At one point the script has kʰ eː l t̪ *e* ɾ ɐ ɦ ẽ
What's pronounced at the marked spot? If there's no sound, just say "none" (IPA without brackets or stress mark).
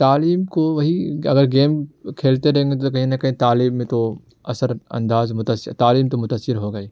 e